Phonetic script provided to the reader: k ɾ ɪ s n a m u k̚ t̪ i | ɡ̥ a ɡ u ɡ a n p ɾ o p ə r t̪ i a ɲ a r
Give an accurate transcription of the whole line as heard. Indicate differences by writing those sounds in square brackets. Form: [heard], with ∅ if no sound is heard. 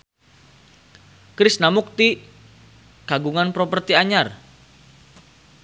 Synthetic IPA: k ɾ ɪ s n a m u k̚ t̪ i | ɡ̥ a ɡ u [ŋ] a n p ɾ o p ə r t̪ i a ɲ a r